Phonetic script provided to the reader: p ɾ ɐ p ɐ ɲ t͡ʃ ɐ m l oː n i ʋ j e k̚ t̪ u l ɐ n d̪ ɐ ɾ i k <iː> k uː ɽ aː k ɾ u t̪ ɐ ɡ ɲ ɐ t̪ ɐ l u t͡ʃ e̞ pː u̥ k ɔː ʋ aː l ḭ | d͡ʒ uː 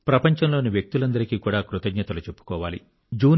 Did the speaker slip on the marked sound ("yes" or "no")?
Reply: no